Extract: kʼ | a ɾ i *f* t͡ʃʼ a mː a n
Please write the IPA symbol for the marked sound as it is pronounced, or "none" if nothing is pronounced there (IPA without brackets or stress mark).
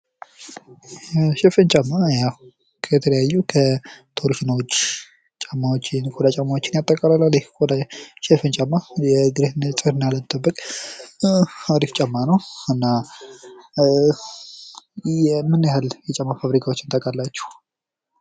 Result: f